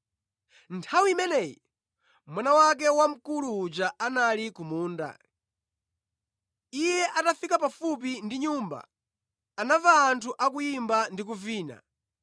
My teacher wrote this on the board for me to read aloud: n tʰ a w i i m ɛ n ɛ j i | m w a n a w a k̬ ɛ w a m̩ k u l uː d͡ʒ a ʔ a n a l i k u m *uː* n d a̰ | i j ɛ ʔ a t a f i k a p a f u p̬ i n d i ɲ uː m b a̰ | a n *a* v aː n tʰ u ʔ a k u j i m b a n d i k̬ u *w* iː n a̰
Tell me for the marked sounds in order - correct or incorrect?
correct, correct, incorrect: v

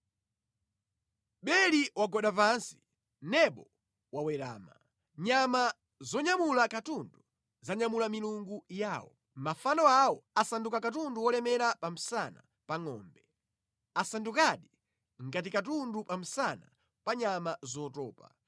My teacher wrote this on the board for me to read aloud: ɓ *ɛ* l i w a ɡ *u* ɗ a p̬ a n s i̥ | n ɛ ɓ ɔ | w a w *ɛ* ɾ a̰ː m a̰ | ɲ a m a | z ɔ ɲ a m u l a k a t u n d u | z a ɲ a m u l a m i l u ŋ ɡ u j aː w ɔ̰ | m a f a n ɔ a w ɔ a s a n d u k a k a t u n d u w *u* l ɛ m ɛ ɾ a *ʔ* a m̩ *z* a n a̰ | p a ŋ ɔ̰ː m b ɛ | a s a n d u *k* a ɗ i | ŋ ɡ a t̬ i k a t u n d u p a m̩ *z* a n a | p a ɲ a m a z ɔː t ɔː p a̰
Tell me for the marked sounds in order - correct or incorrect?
correct, incorrect: ɔ, correct, incorrect: ɔ, incorrect: p, incorrect: s, correct, incorrect: s

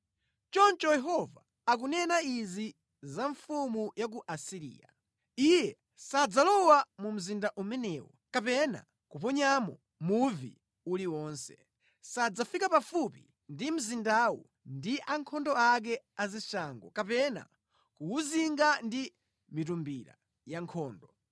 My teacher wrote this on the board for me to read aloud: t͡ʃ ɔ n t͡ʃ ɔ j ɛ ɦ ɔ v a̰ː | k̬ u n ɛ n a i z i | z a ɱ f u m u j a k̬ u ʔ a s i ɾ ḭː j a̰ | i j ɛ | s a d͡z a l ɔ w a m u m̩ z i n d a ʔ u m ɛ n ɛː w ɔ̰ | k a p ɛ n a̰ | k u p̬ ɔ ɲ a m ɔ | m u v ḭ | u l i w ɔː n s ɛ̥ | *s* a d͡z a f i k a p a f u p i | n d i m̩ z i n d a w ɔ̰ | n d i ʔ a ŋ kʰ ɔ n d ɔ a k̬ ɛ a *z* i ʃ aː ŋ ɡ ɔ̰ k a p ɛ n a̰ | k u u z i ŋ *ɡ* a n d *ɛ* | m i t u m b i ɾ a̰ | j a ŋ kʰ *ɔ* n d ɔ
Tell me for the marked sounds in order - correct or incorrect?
correct, correct, correct, incorrect: i, incorrect: ɔː

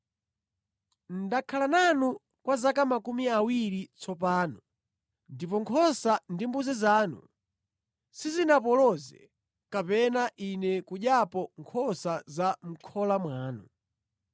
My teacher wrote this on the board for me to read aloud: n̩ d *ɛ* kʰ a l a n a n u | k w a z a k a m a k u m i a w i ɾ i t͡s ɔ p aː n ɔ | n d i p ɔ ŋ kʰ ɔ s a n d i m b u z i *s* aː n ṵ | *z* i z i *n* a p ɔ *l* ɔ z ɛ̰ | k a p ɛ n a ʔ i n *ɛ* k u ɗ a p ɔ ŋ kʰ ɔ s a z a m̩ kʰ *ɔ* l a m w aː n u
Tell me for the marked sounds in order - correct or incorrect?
incorrect: a, incorrect: z, incorrect: s, correct, correct, correct, correct

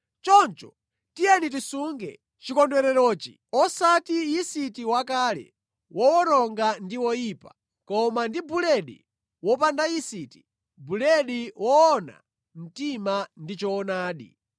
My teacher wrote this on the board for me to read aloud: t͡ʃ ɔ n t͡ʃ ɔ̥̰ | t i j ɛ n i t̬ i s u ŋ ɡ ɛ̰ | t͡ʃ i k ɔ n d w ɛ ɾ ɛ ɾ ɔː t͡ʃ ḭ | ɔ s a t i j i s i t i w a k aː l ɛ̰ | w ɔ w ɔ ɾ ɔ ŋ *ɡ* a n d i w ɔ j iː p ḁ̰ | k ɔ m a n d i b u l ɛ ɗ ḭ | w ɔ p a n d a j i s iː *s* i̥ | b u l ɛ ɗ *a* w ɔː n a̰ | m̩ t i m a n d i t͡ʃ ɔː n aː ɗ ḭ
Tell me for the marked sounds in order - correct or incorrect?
correct, incorrect: t, incorrect: i

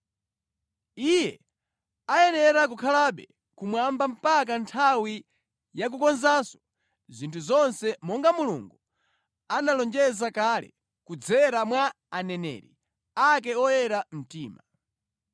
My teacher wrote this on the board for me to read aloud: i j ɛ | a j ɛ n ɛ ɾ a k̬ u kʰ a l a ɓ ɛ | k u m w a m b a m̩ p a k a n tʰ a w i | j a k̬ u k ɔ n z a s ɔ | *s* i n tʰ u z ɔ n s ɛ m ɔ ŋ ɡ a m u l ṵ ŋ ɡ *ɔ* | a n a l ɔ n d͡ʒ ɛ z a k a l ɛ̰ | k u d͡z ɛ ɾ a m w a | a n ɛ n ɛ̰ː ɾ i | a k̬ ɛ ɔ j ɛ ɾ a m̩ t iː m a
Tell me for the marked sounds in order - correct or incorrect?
incorrect: z, incorrect: u

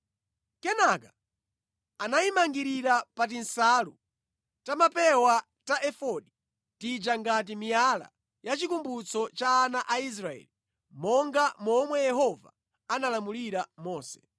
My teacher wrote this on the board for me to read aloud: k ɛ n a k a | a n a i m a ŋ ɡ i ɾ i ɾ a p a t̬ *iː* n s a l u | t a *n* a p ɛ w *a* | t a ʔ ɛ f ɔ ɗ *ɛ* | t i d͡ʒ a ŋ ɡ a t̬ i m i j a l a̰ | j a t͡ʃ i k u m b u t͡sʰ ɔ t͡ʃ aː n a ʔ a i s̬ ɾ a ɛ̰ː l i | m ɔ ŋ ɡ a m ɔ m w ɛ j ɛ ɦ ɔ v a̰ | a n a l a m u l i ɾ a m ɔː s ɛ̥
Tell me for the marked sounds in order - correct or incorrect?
incorrect: i, incorrect: m, correct, incorrect: i

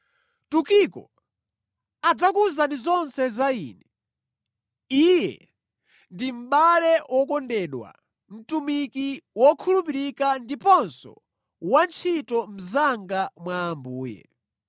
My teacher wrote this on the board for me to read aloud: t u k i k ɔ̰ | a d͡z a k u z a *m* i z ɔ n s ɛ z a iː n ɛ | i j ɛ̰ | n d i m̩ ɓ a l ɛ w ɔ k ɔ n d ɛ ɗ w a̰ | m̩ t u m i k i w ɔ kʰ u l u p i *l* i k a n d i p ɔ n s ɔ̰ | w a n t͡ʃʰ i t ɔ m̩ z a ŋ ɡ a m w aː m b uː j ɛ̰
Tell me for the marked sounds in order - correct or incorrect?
incorrect: n, incorrect: ɾ

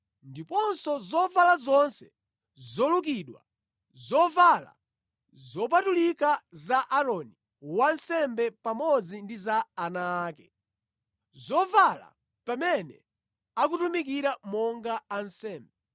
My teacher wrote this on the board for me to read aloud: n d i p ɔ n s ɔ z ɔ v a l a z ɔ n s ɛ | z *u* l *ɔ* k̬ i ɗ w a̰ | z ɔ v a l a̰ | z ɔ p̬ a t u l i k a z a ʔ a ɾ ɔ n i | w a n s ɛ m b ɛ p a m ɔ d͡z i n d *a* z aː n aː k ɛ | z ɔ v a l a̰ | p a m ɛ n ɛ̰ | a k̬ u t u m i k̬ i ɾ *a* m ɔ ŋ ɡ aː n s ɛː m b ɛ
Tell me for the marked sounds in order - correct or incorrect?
incorrect: ɔ, incorrect: u, incorrect: i, correct

